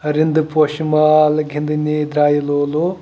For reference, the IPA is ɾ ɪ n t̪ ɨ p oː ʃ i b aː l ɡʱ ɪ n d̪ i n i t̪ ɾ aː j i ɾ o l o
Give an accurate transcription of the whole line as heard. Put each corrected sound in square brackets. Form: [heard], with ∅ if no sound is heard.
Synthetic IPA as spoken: ɾ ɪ n [d̪] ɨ p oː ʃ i [m] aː l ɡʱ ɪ n d̪ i n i [d̪] ɾ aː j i [l] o l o